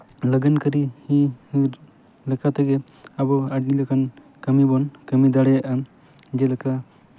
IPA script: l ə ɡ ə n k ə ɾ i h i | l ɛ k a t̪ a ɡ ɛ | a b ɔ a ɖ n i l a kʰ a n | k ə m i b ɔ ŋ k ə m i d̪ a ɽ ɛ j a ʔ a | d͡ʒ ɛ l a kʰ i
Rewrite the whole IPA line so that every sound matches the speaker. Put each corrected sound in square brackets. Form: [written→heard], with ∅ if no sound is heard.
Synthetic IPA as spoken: l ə ɡ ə n k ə ɾ i h i | l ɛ k a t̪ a ɡ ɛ | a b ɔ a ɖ n i l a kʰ a n | k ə m i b ɔ [ŋ→n] k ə m i d̪ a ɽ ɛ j a ʔ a | d͡ʒ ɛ l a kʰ [i→a]

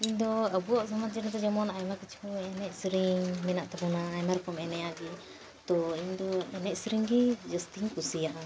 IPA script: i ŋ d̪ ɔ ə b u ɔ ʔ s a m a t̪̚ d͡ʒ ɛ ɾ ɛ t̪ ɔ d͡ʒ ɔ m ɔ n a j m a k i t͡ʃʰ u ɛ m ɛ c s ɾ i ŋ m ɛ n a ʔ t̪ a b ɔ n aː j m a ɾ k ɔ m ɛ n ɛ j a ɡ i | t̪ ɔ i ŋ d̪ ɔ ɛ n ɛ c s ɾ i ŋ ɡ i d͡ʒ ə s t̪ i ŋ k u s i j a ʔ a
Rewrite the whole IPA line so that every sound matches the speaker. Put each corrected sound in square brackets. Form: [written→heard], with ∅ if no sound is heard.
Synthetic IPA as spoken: i [ŋ→ɲ] d̪ ɔ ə b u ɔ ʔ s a m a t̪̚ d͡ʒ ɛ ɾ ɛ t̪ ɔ d͡ʒ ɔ m ɔ n a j m a k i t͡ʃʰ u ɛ [m→n] ɛ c s ɾ i ŋ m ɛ n a ʔ t̪ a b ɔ n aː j m a ɾ k ɔ m ɛ n ɛ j a ɡ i | t̪ ɔ i [ŋ→ɲ] d̪ ɔ ɛ n ɛ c s ɾ i ŋ ɡ i d͡ʒ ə s t̪ i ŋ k u s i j a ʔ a

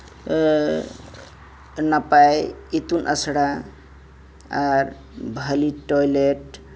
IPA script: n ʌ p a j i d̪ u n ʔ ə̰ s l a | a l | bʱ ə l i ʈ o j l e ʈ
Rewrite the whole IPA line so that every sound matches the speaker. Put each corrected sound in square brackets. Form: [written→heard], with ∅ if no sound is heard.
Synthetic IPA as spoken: n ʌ p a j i [d̪→t̪] u n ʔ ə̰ s [l→ɽ] a | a [l→ɾ] | bʱ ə l i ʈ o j l e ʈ

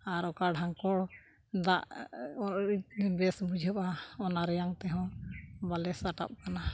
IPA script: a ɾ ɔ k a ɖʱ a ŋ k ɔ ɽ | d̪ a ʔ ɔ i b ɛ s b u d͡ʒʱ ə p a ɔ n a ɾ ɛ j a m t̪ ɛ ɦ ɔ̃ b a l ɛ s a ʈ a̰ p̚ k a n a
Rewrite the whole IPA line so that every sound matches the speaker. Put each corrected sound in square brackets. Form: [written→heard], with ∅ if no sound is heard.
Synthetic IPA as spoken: a ɾ ɔ k a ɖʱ a ŋ k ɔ ɽ | d̪ a ʔ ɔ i b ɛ s b u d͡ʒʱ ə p a ɔ n a ɾ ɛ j a [m→ŋ] t̪ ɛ ɦ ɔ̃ b a l ɛ s a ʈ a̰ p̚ k a n a

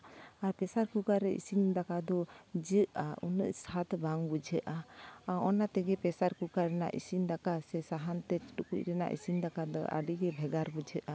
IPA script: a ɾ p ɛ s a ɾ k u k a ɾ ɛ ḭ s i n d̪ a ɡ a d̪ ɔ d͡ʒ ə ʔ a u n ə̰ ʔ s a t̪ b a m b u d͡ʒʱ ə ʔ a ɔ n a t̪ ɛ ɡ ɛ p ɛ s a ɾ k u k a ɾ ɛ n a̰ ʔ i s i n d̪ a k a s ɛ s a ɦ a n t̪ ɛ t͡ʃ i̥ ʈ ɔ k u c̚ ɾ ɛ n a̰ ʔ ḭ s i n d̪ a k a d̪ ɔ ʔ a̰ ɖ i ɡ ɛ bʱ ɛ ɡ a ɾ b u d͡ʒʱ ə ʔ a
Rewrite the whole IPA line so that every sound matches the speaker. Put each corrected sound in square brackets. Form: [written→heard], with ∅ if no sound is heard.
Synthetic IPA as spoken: a ɾ p ɛ s a ɾ k u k a ɾ ɛ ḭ s i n d̪ a [ɡ→k] a d̪ ɔ d͡ʒ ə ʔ a u n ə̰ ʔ s a t̪ b a [m→ŋ] b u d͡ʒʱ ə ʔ a ɔ n a t̪ ɛ ɡ ɛ p ɛ s a ɾ k u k a ɾ ɛ n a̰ ʔ i s i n d̪ a k a s ɛ s a ɦ a n t̪ ɛ t͡ʃ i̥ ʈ [ɔ→u] k u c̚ ɾ ɛ n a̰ ʔ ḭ s i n d̪ a k a d̪ ɔ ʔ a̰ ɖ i ɡ ɛ bʱ ɛ ɡ a ɾ b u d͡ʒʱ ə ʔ a

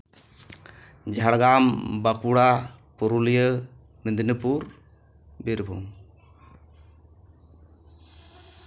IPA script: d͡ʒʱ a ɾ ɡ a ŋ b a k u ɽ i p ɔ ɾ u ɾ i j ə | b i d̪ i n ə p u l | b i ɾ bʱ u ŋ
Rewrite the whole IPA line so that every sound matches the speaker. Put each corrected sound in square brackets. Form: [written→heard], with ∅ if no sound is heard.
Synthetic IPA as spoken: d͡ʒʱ a [ɾ→ɽ] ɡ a [ŋ→m] b a k u ɽ [i→a] p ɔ ɾ u [ɾ→l] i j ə | [b→m] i d̪ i n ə p u [l→ɾ] | b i ɾ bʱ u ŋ

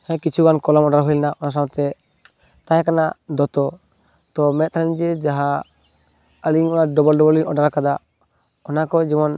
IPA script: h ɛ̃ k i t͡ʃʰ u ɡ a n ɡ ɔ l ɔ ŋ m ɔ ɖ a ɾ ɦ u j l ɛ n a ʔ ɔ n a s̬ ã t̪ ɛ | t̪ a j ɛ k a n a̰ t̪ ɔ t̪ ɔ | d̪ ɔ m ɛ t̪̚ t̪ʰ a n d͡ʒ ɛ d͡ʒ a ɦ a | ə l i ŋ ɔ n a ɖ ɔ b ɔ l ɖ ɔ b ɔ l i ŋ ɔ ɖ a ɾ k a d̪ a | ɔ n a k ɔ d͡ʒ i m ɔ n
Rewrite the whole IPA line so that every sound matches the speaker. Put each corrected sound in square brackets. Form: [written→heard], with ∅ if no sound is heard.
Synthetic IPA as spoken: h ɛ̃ k i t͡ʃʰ u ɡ a n [ɡ→k] ɔ l ɔ [ŋ→∅] m ɔ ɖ a ɾ ɦ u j l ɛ n a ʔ ɔ n a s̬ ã t̪ ɛ | t̪ a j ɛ k a n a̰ [t̪→d̪] ɔ t̪ ɔ | [d̪→t̪] ɔ m ɛ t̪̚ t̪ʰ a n d͡ʒ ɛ d͡ʒ a ɦ a | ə l i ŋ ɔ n a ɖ ɔ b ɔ l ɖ ɔ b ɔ l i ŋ ɔ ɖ a ɾ k a d̪ a | ɔ n a k ɔ d͡ʒ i m ɔ n

